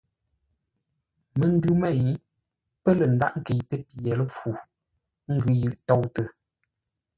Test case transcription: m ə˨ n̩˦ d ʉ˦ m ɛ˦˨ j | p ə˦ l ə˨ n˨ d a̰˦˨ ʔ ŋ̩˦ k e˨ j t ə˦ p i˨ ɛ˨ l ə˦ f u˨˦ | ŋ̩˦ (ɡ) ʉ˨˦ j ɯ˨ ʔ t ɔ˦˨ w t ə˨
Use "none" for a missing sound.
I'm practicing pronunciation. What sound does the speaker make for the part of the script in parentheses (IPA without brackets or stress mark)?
ɡ